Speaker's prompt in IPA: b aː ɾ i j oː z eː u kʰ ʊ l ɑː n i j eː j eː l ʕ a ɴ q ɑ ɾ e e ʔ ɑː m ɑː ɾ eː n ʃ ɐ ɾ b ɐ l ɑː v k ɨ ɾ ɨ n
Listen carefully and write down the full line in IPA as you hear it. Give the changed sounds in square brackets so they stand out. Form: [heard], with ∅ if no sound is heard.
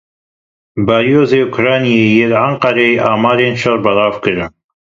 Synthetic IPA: b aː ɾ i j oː z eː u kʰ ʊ [ɾ] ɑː n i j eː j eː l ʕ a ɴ q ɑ ɾ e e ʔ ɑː m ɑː ɾ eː n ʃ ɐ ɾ b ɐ l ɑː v k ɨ ɾ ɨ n